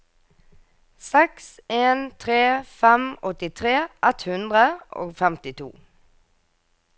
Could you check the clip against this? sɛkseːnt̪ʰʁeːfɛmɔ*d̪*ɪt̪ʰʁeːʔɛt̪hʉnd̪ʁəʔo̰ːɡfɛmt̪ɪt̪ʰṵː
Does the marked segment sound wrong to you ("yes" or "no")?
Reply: yes